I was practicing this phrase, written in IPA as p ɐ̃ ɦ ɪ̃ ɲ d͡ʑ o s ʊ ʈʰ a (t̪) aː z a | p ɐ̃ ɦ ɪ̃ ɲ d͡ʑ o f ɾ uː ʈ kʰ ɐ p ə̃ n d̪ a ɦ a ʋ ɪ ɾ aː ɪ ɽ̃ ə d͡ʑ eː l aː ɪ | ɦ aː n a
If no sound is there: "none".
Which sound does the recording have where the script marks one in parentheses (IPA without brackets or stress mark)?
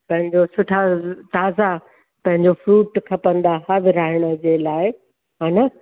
t̪